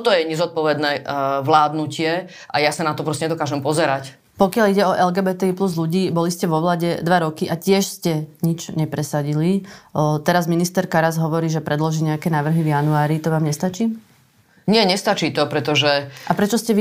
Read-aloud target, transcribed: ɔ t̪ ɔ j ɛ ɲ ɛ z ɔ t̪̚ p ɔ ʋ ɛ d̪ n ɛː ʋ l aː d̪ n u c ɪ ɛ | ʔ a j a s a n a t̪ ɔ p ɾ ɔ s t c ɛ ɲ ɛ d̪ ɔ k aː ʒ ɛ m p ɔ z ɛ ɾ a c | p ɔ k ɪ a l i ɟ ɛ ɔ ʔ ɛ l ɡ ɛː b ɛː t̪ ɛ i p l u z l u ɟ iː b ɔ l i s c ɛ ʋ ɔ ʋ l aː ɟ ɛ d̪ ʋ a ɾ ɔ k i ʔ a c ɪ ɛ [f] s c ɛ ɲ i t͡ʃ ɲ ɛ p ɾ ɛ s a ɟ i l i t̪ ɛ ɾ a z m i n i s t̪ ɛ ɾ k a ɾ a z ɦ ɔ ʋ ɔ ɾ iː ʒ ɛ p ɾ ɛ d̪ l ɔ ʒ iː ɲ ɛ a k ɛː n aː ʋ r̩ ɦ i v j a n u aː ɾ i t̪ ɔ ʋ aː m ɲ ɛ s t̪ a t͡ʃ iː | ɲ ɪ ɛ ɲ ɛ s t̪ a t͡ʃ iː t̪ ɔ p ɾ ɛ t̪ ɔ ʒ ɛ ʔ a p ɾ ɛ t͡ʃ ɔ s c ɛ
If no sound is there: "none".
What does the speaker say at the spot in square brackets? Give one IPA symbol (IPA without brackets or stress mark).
ʃ